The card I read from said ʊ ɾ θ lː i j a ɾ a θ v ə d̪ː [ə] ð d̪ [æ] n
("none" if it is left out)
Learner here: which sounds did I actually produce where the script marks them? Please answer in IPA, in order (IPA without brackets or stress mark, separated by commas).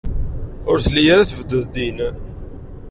ə, i